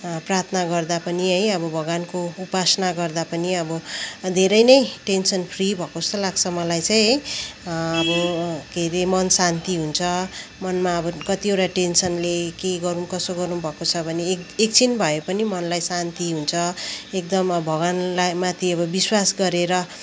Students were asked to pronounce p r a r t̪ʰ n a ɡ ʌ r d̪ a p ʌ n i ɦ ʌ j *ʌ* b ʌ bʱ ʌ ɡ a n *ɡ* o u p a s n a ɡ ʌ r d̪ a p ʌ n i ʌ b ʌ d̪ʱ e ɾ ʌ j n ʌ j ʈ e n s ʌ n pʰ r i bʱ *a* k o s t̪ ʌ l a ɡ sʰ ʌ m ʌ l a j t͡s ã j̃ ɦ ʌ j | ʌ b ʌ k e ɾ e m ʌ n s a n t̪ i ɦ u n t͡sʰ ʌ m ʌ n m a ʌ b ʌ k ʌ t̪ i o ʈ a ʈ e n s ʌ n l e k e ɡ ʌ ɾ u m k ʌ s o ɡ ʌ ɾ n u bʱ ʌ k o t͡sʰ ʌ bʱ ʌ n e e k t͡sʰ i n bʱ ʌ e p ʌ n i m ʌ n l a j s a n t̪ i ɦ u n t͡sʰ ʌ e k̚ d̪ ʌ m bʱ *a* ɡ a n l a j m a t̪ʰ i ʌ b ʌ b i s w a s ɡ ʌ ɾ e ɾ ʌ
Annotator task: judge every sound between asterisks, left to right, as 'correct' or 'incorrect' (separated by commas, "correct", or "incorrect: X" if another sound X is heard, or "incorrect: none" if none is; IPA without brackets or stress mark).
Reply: correct, incorrect: k, incorrect: ʌ, incorrect: ʌ